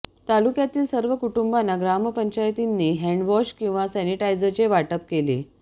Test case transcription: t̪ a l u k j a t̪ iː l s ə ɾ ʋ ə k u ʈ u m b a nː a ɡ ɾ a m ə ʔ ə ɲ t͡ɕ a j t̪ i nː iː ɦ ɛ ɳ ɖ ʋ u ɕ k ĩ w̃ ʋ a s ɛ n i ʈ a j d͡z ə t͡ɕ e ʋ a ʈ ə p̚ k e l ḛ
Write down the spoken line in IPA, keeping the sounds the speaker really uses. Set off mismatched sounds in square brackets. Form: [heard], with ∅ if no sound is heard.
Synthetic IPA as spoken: t̪ a l u k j a t̪ iː l s ə ɾ ʋ ə k u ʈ u m b a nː a ɡ ɾ a m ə [p] ə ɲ t͡ɕ a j t̪ i nː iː ɦ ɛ ɳ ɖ ʋ [ɔ] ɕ k ĩ w̃ ʋ a s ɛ n i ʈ a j d͡z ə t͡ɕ e ʋ a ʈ ə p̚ k e l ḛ